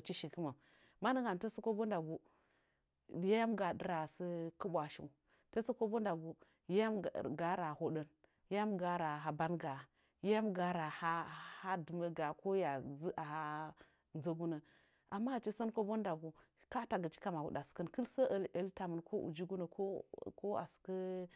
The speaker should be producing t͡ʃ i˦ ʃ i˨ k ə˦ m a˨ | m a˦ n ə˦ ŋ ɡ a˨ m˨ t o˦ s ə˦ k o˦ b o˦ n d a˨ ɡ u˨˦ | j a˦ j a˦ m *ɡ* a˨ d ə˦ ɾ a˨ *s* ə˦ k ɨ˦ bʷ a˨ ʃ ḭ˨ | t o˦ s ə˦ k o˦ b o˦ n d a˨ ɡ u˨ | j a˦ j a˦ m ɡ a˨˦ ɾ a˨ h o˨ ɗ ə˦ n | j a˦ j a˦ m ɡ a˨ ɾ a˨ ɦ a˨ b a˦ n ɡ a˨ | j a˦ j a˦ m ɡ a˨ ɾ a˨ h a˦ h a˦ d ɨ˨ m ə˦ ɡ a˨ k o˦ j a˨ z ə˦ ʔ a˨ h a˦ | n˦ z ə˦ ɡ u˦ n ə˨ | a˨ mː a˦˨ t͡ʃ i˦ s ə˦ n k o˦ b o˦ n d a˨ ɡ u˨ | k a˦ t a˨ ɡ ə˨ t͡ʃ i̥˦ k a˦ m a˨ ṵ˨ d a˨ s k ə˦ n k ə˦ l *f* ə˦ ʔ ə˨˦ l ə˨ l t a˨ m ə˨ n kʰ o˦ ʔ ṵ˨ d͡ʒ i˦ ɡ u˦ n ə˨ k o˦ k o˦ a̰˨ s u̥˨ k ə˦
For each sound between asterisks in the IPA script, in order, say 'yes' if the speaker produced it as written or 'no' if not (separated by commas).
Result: yes, yes, no